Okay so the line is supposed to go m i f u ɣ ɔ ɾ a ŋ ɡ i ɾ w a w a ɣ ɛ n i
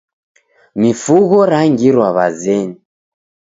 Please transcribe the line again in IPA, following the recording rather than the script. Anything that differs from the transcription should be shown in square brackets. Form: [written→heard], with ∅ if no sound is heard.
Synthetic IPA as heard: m i f u ɣ ɔ ɾ a ŋ ɡ i ɾ w a [w→β] a [ɣ→z] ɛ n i